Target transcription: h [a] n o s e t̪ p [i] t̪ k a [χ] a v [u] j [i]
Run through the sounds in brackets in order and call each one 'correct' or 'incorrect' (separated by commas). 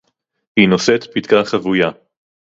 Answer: incorrect, correct, correct, correct, incorrect